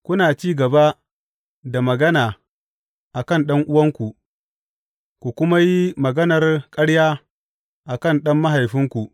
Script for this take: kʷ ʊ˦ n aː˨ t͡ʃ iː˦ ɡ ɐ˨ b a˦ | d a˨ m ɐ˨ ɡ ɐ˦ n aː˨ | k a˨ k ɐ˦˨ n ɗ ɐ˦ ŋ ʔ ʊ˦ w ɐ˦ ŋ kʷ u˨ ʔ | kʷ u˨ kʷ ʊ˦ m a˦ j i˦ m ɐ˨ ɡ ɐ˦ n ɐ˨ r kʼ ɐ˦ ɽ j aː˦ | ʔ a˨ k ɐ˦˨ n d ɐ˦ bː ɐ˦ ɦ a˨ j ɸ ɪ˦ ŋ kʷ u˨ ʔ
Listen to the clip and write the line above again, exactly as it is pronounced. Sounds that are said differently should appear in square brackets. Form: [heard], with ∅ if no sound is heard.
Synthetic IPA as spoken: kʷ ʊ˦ n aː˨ t͡ʃ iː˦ ɡ ɐ˨ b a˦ | d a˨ m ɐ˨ ɡ ɐ˦ n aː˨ | [ʔ] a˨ k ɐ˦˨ n ɗ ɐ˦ ŋ ʔ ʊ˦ w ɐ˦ ŋ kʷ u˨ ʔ | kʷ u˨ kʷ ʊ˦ m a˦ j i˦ m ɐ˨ ɡ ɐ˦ n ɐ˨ r kʼ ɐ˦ ɽ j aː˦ | ʔ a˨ k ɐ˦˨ n [ɗ] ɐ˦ [mː] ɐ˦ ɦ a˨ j ɸ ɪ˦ ŋ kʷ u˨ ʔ